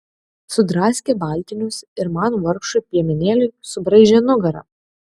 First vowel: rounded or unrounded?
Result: rounded